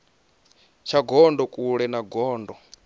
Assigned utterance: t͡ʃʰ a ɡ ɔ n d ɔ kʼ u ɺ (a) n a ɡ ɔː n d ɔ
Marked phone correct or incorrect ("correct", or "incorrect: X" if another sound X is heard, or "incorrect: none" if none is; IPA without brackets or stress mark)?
incorrect: ɛ